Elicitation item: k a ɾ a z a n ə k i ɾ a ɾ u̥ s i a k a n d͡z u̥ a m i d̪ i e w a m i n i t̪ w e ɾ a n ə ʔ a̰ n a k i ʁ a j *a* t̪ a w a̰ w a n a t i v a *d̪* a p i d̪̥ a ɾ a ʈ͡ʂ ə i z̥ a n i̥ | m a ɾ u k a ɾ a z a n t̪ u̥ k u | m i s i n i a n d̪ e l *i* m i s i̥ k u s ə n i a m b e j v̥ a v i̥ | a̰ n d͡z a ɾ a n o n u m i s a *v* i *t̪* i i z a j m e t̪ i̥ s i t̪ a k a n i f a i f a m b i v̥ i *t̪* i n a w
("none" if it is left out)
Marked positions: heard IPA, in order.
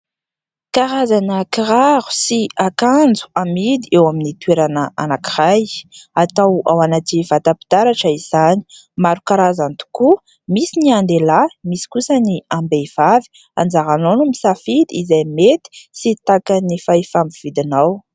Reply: a, t̪, a, f, d̪, d̪

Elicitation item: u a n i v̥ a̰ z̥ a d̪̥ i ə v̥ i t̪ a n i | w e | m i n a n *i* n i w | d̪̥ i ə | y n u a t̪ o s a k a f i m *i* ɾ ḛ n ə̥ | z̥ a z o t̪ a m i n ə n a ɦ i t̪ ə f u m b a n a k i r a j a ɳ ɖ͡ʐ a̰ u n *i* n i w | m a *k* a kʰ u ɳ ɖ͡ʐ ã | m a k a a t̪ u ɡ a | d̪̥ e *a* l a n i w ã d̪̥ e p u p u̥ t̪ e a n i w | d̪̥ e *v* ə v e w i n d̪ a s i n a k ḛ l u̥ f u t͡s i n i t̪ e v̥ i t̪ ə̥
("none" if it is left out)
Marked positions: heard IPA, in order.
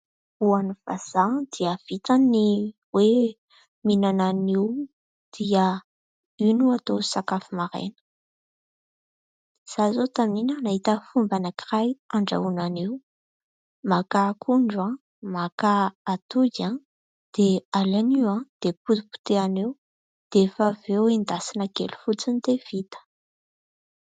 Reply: a, a, a, k, a, f

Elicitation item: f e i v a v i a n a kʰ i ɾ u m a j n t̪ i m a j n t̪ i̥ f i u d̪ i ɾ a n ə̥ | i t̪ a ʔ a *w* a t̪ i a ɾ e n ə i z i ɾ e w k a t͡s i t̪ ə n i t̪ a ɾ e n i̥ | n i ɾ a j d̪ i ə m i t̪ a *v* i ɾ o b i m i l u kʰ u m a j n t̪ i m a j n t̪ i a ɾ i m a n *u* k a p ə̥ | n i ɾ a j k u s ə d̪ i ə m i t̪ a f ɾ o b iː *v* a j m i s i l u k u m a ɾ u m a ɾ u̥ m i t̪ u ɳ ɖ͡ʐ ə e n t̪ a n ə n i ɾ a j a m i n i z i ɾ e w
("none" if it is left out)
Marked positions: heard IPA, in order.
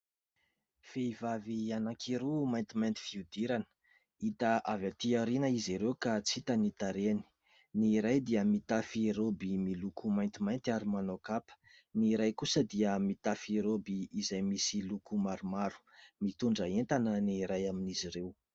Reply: v, f, o, z

